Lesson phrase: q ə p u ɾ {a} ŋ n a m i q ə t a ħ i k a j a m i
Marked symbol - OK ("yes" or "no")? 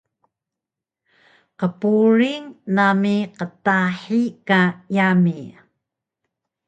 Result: no